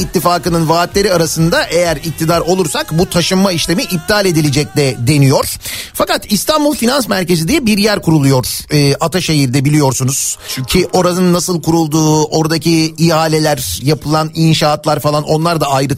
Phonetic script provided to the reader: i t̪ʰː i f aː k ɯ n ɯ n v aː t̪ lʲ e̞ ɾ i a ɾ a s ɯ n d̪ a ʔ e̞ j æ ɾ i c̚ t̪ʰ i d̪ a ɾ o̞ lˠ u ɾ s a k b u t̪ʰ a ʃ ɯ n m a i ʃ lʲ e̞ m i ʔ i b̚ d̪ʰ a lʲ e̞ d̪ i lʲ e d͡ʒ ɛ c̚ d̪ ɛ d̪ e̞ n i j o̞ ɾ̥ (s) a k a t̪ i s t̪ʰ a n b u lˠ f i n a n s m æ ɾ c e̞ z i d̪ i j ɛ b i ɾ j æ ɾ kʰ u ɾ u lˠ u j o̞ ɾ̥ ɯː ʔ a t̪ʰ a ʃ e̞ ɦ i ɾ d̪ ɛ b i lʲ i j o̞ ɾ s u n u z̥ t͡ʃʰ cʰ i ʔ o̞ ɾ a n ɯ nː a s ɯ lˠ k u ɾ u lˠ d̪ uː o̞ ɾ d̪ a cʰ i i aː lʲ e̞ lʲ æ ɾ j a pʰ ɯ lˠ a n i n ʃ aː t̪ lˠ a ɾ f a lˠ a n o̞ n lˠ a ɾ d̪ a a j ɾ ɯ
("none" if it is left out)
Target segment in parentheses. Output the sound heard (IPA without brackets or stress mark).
f